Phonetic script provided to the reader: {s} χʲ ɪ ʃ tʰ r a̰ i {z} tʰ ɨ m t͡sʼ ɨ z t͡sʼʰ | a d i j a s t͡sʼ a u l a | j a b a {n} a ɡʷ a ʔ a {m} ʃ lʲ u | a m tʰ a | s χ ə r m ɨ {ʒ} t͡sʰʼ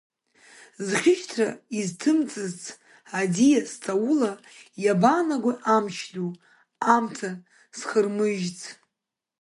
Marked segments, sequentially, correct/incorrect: incorrect, correct, correct, correct, correct

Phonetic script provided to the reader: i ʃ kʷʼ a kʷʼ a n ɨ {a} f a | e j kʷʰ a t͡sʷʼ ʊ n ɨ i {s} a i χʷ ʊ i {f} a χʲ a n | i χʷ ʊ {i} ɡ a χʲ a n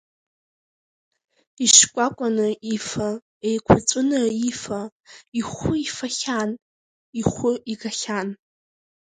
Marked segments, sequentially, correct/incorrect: incorrect, incorrect, correct, correct

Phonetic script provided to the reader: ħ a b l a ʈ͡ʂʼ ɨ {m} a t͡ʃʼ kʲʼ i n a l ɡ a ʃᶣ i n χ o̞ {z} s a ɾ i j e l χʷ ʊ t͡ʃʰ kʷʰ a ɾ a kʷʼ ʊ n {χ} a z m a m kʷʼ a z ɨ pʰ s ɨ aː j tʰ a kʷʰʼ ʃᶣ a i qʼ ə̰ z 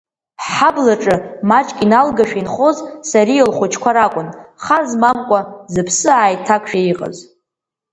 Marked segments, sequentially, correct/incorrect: correct, correct, correct

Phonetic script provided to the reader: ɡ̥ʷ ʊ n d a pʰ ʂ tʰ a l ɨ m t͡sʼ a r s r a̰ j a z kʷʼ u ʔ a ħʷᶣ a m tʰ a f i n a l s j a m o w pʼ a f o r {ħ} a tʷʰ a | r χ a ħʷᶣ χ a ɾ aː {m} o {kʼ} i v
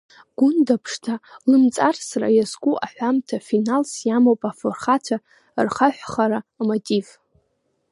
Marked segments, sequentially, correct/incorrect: incorrect, correct, incorrect

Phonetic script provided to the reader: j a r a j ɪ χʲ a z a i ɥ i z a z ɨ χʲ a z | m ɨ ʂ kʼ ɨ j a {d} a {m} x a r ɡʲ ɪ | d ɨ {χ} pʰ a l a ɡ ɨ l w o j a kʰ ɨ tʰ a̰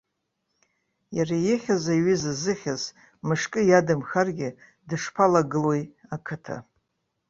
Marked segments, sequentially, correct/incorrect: correct, correct, incorrect

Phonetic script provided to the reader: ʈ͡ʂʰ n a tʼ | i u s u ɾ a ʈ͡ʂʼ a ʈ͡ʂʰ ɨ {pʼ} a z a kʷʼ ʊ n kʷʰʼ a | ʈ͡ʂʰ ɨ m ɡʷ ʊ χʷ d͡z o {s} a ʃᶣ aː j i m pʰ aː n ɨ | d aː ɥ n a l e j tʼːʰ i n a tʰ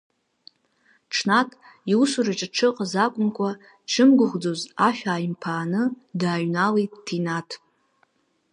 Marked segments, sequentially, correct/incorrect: incorrect, incorrect

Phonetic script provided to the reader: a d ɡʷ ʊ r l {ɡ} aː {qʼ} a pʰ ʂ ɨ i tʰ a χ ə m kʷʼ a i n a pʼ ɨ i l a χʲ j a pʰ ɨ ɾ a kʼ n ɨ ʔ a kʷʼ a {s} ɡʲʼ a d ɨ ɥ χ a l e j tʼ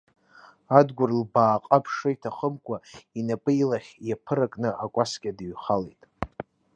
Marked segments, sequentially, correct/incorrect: incorrect, correct, correct

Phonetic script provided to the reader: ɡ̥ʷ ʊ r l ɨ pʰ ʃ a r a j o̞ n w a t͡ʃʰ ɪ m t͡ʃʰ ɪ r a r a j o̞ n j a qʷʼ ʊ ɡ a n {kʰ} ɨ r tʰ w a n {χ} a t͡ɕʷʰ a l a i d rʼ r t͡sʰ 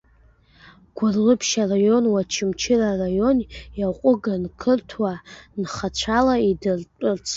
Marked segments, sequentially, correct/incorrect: correct, correct

